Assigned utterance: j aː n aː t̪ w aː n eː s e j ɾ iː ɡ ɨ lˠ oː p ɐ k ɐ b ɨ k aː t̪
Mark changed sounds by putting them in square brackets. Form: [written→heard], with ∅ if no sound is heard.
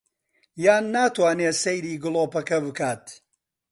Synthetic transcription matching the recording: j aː [n→nː] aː t̪ w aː n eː s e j ɾ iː ɡ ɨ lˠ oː p ɐ k ɐ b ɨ k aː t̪

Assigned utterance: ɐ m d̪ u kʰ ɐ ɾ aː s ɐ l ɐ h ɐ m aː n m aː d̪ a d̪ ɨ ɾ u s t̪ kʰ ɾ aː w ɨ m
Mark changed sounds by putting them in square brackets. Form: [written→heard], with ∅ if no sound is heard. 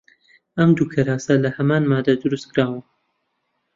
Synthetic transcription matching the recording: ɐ m d̪ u kʰ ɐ ɾ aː s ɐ l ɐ h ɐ m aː n m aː d̪ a d̪ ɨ ɾ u s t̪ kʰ ɾ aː w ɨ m

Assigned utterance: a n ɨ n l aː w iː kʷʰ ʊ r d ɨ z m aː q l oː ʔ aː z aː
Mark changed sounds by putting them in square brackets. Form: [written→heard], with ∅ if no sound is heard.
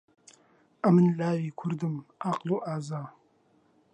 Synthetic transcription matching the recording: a [n→m] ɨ n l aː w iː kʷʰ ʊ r d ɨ [z→∅] m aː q l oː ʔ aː z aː

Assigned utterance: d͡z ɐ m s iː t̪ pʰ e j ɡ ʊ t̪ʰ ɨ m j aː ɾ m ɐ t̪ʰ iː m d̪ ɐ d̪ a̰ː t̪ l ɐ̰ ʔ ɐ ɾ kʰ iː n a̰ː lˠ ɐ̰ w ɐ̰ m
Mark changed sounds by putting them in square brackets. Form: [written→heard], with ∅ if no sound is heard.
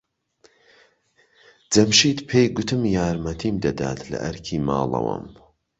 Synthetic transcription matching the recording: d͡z ɐ m [s→ʃ] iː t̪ pʰ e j ɡ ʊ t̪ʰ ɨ m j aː ɾ m ɐ t̪ʰ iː m d̪ ɐ d̪ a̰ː t̪ l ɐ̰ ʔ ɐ ɾ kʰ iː [n→m] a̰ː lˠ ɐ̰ w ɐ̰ m

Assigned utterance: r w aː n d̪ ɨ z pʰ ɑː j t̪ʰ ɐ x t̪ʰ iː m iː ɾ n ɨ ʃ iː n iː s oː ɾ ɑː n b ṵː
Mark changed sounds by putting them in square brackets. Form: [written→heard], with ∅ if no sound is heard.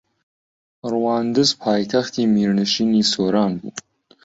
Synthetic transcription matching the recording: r w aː n d̪ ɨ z pʰ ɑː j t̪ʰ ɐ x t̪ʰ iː m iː ɾ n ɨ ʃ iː n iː s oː ɾ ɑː n b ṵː

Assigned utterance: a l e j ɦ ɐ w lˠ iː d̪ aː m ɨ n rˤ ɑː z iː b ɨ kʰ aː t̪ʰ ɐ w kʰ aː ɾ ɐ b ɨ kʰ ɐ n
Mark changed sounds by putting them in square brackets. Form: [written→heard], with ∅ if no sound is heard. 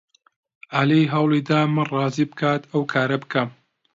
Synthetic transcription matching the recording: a l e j ɦ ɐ w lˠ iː d̪ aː m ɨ n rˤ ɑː z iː b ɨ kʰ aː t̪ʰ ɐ w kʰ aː ɾ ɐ b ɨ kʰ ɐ [n→m]

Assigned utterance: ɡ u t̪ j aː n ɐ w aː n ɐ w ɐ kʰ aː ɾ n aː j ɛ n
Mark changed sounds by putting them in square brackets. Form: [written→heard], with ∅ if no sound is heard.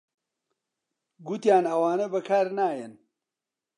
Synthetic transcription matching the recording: ɡ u t̪ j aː n ɐ w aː n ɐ [w→b] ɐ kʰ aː ɾ n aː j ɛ n

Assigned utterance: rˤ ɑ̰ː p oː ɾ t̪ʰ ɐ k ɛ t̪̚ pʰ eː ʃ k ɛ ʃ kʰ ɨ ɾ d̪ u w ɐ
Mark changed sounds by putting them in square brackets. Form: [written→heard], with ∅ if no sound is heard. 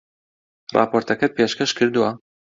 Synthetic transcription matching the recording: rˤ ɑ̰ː p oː ɾ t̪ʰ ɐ k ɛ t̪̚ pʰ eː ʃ k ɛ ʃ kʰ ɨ ɾ d̪ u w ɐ

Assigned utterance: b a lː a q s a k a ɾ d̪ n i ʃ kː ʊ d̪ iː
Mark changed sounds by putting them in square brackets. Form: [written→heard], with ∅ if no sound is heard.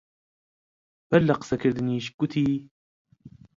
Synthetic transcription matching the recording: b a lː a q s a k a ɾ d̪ n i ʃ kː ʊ [d̪→t̪] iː

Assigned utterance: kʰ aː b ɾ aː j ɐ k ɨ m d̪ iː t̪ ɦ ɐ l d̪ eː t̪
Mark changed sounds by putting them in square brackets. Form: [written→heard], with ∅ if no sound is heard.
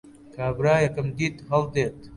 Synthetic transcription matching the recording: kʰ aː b ɾ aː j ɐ k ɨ m d̪ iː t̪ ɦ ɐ l d̪ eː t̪

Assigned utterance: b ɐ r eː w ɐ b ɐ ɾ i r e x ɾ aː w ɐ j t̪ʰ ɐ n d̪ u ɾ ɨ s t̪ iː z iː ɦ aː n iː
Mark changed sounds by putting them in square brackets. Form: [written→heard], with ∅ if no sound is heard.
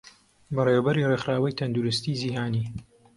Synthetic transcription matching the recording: b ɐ r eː w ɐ b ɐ ɾ i r e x ɾ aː w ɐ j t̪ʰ ɐ n d̪ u ɾ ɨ s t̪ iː z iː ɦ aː n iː

